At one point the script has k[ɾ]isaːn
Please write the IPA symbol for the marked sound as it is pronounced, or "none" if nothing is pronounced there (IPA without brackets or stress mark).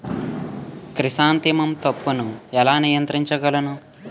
ɾ